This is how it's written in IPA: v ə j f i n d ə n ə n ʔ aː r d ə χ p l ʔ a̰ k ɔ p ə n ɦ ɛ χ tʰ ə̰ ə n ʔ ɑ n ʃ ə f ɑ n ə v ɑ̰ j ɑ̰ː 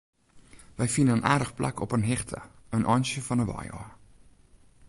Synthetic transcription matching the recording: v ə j f i n d ə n ə n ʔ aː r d ə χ p l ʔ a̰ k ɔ p ə n ɦ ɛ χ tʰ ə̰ ə n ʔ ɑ n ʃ ə f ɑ n ə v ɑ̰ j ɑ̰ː